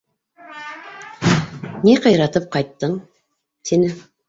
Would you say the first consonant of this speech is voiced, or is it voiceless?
voiced